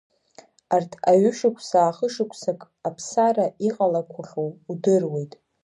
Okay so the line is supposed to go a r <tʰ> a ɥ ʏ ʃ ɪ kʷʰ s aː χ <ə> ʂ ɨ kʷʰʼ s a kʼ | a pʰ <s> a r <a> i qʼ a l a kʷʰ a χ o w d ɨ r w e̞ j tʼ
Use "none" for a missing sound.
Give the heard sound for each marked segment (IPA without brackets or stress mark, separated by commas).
tʰ, ə, s, a